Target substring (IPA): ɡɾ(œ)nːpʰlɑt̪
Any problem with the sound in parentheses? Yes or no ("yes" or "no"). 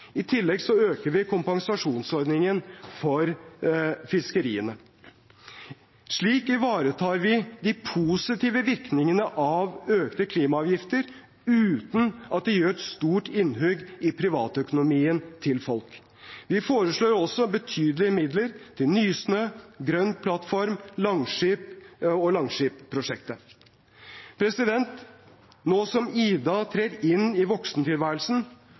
no